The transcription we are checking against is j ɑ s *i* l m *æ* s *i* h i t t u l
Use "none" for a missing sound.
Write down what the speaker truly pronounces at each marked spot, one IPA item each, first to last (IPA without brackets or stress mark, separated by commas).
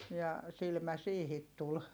i, æ, iː